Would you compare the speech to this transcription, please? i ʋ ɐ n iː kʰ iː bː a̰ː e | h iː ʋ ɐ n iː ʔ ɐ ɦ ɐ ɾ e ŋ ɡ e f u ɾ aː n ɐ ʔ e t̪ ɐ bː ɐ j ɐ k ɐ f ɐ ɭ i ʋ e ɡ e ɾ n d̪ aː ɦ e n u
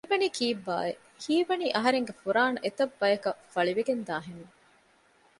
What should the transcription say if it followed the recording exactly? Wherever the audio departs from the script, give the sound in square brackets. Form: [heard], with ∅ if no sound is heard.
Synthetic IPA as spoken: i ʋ ɐ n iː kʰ iː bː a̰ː e | h iː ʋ ɐ n iː ʔ ɐ ɦ ɐ ɾ e ŋ ɡ e f u ɾ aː n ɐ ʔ e t̪ ɐ bː ɐ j ɐ k ɐ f ɐ ɭ i ʋ e ɡ e [∅] n d̪ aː ɦ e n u